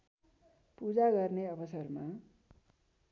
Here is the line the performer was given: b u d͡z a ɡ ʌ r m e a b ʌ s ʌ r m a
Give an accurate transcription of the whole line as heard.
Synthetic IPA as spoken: p u d͡z a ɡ ʌ r n e ʌ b ʌ s ʌ r m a